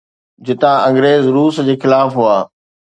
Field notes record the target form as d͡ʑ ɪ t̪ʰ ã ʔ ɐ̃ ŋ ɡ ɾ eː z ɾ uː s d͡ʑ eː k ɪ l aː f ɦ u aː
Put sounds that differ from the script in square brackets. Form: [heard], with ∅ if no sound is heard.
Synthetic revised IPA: d͡ʑ ɪ [t̪] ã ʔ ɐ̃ ŋ ɡ ɾ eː z ɾ uː s d͡ʑ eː [x] ɪ l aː f ɦ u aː